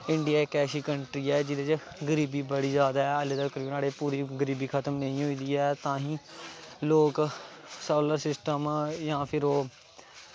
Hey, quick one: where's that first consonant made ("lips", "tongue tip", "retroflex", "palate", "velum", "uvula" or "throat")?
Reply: retroflex